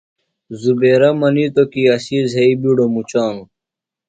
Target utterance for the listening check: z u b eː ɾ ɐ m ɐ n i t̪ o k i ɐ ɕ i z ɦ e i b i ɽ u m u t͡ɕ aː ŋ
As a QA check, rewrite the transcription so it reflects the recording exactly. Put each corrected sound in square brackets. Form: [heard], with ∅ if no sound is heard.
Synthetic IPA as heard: z u b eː ɾ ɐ m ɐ n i t̪ o k i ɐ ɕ i z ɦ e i b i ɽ [o] m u t͡ɕ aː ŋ